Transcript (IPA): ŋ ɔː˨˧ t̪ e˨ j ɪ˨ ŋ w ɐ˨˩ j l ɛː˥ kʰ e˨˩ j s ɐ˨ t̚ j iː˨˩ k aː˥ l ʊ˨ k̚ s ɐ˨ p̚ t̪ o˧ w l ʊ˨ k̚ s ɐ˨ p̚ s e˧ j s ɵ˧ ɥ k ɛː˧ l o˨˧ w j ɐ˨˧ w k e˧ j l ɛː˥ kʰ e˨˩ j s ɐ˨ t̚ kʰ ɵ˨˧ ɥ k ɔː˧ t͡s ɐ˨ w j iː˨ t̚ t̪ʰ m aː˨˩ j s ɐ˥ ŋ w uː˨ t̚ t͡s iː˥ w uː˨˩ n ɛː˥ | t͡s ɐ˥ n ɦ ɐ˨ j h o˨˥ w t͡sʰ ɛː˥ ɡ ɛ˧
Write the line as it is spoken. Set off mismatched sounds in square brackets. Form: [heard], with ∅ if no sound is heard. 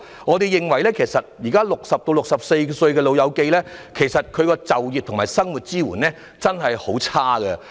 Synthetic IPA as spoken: ŋ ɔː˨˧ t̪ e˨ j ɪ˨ ŋ w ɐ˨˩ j l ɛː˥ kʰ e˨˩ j s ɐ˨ t̚ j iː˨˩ k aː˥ l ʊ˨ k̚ s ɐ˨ p̚ t̪ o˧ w l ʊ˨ k̚ s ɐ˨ p̚ s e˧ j s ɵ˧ ɥ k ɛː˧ l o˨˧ w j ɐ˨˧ w k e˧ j l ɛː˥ kʰ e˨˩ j s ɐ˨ t̚ kʰ ɵ˨˧ ɥ k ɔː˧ t͡s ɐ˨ w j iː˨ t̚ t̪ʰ m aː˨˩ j s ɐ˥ ŋ w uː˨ t̚ t͡s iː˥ w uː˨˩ n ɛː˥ | t͡s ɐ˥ n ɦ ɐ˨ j h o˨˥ w t͡sʰ [aː˥] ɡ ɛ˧